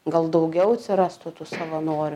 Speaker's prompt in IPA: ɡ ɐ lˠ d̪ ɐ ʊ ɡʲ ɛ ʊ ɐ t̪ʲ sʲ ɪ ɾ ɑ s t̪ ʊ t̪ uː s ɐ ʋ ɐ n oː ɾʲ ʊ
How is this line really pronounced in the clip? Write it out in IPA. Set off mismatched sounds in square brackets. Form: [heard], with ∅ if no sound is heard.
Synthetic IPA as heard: ɡ ɐ lˠ d̪ ɐ ʊ ɡʲ ɛ ʊ ɐ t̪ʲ sʲ ɪ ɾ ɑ s t̪ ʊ t̪ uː s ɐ ʋ ɐ n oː ɾʲ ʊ